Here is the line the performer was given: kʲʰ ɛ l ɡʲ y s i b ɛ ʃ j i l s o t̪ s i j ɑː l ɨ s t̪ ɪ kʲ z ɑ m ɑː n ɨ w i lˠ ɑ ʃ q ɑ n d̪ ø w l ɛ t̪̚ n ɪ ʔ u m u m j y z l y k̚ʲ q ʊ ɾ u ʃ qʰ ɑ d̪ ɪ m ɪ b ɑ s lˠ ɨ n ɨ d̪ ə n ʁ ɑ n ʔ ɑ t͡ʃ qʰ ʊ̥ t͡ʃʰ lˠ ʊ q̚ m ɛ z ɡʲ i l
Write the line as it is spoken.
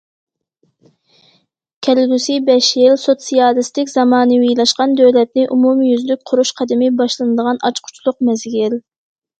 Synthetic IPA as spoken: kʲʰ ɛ l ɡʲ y s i b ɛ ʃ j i l s o t̪ s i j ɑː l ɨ s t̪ ɪ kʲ z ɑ m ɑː n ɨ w i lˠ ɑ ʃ q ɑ n d̪ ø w l ɛ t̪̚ n ɪ ʔ u m u m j y z l y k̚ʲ qʰ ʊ ɾ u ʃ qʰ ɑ d̪ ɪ m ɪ b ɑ ʃ lˠ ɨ n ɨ d̪ ə ʁ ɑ n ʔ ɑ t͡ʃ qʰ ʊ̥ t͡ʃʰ lˠ ʊ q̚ m ɛ z ɡʲ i l

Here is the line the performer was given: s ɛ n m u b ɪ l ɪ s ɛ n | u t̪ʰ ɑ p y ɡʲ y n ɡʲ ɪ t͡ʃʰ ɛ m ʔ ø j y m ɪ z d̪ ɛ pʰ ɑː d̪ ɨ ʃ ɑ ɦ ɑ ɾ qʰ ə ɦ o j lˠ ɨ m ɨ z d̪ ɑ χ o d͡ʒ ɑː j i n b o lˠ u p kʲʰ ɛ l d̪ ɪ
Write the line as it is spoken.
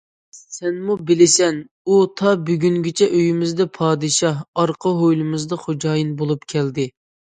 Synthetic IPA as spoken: s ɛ n m u b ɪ l ɪ s ɛ n | u t̪ʰ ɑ b y ɡʲ y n ɡʲ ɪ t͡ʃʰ ɛ ʔ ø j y m ɪ z d̪ ɛ pʰ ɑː d̪ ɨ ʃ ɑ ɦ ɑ ɾ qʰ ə ɦ o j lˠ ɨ m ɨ z d̪ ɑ χ o d͡ʒ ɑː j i n b o lˠ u p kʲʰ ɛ l d̪ ɪ

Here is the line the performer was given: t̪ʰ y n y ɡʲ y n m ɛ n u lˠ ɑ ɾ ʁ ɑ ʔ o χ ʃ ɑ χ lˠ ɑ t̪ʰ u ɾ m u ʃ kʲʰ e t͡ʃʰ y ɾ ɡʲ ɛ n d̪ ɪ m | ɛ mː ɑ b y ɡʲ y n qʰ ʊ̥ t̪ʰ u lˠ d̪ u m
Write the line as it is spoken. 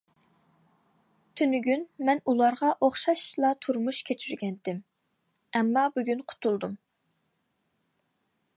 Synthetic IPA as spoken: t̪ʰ y n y ɡʲ y n m ɛ n u lˠ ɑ ɾ ʁ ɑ ʔ o χ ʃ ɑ ʃ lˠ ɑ t̪ʰ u ɾ m u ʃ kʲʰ e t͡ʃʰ y ɾ ɡʲ ɛ n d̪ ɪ m | ɛ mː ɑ b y ɡʲ y n qʰ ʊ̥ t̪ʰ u lˠ d̪ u m

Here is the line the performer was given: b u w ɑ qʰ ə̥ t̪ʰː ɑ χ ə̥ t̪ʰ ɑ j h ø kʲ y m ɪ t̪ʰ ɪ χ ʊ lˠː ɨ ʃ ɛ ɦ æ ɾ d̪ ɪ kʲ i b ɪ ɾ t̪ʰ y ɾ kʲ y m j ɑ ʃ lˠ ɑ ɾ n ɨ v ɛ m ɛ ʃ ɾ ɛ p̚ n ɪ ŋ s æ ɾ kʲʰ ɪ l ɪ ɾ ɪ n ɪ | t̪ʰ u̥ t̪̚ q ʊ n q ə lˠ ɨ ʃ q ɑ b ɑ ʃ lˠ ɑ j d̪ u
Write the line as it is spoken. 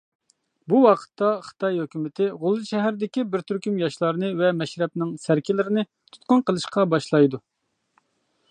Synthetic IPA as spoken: b u w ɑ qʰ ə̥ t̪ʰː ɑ χ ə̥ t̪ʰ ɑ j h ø kʲ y m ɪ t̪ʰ ɪ ʁ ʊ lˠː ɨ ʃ ɛ ɦ æ ɾ d̪ ɪ kʲ i b ɪ ɾ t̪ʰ y ɾ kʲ y m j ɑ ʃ lˠ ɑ ɾ n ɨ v ɛ m ɛ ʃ ɾ ɛ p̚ n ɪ ŋ s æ ɾ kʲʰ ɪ l ɪ ɾ ɪ n ɪ | t̪ʰ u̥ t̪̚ q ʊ n q ə lˠ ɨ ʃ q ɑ b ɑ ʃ lˠ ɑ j d̪ u

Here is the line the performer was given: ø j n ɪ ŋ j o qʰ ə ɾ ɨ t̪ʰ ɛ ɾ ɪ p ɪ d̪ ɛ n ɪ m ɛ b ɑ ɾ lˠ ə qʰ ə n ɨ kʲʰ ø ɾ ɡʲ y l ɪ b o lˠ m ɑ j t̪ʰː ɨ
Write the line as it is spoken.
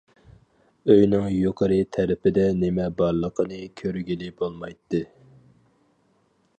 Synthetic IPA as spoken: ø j n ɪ ŋ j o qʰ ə ɾ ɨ t̪ʰ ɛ ɾ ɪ p ɪ d̪ ɛ n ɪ m ɛ b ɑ ɾ lˠ ə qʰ ə n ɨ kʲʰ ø ɾ ɡʲ i l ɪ b o lˠ m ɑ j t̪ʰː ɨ

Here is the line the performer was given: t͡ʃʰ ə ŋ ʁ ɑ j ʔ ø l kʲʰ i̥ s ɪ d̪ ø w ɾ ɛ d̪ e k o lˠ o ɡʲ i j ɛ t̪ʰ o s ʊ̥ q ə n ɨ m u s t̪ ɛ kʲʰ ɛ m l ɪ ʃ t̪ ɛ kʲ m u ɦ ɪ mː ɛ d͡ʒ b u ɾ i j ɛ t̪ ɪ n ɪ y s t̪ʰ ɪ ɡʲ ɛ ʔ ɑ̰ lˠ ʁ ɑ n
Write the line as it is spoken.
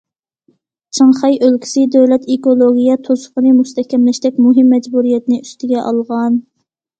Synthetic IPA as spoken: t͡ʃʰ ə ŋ χ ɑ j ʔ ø l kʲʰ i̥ s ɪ d̪ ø w l ɛ t̪ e k o lˠ o ɡʲ i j ɛ t̪ʰ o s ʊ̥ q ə n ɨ m u s t̪ ɛ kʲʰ ɛ m l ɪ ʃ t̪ ɛ kʲ m u ɦ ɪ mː ɛ d͡ʒ b u ɾ i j ɛ t̪ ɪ n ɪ y s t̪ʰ ɪ ɡʲ ɛ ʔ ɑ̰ lˠ ʁ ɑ n

